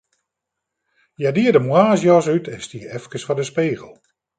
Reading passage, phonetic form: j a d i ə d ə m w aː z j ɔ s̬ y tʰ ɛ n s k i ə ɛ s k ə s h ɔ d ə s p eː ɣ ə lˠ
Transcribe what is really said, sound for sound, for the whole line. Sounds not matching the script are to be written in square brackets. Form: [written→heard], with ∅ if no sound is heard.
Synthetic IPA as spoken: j a d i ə d ə m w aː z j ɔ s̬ y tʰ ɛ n s [k→t] i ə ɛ [s→f] k ə s [h→f] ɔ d ə s p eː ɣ ə lˠ